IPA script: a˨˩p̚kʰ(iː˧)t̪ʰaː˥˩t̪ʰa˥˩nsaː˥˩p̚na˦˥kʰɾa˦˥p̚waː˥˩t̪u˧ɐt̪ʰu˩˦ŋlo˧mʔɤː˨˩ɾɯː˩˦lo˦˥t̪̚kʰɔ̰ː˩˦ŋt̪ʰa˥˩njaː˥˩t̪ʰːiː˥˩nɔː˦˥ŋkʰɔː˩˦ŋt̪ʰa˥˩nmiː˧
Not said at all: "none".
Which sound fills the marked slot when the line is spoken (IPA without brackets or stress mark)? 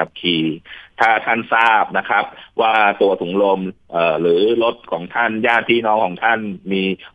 iː˧